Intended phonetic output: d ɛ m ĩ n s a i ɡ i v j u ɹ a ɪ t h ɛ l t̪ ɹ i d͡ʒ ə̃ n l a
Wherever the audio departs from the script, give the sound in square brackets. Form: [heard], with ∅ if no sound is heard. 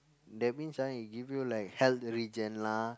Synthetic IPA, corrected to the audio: d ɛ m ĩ n s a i ɡ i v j u [l] a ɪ [k] h ɛ l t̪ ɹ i d͡ʒ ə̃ n l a

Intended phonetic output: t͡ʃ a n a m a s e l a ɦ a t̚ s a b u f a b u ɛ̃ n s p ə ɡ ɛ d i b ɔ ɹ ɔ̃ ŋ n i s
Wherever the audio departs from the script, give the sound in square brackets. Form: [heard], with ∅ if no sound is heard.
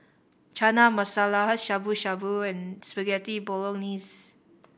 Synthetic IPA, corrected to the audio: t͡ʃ a n a m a s [a] l a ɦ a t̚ [ʃ] a b u [ʃ] a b u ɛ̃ n s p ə ɡ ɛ [t] i b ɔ [l] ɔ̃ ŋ n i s

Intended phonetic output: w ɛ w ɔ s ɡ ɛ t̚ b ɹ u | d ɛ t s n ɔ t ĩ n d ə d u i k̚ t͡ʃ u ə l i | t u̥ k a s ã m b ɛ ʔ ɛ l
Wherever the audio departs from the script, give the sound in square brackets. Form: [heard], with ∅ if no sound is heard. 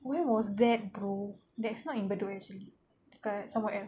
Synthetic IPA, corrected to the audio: w ɛ w ɔ s [d] ɛ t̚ b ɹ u | d ɛ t s n ɔ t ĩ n [b] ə d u [ɛ] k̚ t͡ʃ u ə l i | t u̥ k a s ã m [w] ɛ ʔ ɛ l

